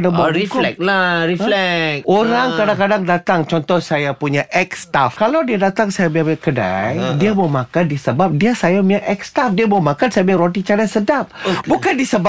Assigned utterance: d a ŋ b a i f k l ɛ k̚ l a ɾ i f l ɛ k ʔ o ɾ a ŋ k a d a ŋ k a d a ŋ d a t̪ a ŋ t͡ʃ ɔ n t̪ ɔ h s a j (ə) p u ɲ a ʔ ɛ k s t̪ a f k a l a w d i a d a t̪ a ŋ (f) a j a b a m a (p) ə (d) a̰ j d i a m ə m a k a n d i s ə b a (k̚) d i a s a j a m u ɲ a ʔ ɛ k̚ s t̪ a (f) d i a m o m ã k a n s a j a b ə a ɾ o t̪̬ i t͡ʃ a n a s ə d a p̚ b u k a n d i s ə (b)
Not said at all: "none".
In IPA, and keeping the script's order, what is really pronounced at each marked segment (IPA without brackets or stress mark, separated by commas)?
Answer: a, s, k, d, p̚, f, b